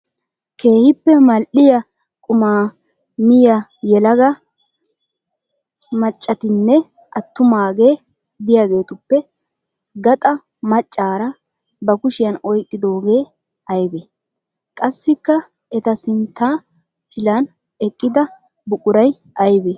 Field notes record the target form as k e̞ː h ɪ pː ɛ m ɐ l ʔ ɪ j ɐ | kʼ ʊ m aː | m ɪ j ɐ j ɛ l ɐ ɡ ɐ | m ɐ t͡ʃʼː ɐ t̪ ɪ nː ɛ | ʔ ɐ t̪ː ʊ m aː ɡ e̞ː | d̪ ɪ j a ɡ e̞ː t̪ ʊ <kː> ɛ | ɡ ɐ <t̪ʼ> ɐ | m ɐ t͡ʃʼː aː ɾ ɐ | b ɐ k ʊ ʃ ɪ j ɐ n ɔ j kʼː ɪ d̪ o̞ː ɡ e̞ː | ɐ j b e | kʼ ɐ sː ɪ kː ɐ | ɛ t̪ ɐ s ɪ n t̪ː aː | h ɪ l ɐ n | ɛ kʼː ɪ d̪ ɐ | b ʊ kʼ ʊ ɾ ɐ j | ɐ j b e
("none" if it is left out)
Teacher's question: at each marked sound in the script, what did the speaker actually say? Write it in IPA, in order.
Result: pː, t̪ʼ

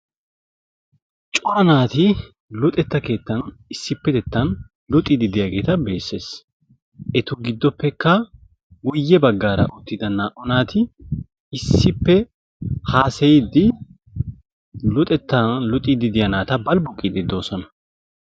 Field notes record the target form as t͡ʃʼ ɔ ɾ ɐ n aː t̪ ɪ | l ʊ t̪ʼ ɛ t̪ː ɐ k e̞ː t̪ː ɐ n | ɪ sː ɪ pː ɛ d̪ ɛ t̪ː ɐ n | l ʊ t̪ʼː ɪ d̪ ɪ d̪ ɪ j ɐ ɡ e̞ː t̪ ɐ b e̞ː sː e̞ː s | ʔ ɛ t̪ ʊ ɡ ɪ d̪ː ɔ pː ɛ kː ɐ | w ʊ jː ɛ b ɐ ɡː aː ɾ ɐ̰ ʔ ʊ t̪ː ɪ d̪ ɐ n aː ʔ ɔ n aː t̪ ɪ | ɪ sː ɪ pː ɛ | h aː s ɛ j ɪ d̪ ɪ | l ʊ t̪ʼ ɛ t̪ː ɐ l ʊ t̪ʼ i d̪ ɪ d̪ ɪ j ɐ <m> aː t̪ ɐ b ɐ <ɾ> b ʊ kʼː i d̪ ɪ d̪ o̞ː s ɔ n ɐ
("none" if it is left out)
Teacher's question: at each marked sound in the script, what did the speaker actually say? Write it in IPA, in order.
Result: n, l

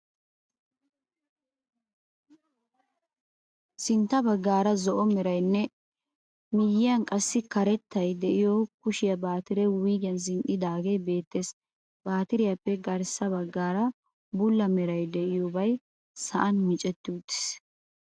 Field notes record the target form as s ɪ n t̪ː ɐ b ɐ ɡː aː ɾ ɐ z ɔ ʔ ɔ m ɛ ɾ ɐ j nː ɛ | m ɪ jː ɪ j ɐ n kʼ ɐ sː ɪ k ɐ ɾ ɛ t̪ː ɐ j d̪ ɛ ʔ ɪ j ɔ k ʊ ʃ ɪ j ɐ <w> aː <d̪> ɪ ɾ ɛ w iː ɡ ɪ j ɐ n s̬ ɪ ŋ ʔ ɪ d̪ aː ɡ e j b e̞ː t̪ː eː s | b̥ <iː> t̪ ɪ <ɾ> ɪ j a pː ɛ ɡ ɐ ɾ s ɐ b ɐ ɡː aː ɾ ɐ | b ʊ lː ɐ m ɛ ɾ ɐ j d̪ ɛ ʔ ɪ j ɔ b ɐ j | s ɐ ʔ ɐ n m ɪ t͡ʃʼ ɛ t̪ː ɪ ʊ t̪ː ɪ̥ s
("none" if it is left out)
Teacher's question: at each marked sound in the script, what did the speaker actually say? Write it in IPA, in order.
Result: b, t̪, aː, ɾ

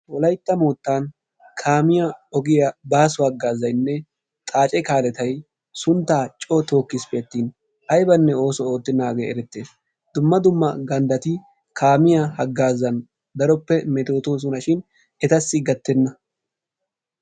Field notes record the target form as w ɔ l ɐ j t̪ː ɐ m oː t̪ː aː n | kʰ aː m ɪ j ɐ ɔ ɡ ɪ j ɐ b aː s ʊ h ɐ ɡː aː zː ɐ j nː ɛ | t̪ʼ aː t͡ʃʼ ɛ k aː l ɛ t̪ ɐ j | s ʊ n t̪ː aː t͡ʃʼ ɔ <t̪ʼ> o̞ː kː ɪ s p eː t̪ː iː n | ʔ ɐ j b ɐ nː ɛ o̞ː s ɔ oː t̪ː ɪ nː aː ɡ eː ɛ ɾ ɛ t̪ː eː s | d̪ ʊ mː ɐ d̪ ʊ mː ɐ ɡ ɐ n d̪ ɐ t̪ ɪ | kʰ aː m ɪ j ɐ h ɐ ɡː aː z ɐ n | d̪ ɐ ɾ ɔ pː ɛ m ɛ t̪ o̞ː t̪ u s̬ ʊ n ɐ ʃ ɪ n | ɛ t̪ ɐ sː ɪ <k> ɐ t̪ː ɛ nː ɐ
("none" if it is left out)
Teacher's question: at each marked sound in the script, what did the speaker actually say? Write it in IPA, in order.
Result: t̪, ɡ

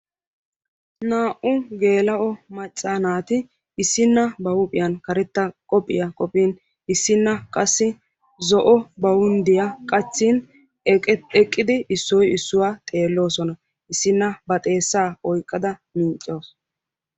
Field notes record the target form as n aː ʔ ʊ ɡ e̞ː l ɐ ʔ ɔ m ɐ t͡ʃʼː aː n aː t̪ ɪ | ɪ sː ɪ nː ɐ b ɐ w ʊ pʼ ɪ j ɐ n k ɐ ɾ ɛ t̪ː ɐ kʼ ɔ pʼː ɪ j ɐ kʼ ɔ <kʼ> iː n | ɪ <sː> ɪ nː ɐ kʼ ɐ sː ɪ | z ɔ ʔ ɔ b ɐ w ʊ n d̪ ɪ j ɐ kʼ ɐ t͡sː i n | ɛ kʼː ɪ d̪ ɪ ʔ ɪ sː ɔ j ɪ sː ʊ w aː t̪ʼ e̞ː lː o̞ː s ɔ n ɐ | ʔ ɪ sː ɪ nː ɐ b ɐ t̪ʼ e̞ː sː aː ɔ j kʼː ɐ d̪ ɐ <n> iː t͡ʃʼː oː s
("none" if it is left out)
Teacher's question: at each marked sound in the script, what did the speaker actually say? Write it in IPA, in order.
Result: pʼ, sː, m

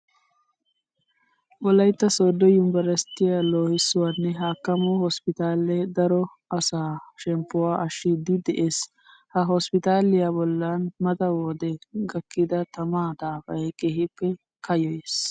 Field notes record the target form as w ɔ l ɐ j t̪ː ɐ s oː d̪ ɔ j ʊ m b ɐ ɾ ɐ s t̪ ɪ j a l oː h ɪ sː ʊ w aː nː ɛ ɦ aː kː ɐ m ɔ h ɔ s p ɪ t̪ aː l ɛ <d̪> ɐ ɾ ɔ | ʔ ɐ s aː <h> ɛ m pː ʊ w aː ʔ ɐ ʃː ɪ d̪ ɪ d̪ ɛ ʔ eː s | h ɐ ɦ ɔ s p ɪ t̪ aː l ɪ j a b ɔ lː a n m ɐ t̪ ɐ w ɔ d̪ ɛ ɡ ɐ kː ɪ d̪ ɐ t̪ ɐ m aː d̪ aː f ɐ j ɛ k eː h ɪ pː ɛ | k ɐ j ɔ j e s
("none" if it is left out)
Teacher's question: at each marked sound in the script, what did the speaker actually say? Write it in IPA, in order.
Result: d̪, ʃ

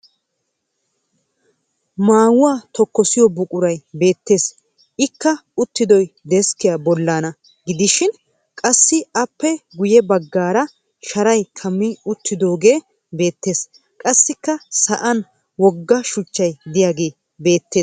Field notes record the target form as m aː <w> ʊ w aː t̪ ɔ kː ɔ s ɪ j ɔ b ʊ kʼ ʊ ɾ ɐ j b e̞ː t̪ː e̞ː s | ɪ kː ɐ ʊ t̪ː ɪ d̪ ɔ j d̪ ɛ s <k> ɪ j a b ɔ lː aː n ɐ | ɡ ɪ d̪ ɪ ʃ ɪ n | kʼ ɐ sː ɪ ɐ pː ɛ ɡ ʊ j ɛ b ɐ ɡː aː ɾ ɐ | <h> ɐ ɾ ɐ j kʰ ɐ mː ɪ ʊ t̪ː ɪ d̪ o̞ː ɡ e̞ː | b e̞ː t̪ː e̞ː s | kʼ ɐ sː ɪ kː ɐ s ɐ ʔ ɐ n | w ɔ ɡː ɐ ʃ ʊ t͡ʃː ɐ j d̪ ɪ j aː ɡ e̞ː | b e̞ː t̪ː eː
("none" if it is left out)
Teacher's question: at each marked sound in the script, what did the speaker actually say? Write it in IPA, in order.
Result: w, k, ʃ

